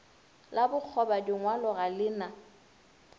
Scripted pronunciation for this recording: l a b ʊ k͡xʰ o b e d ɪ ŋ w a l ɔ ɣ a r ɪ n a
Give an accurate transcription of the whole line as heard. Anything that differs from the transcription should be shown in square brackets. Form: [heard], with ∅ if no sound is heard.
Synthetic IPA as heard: l a b ʊ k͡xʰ [ɔ] b [a] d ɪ ŋ w a l ɔ ɣ a [l] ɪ n a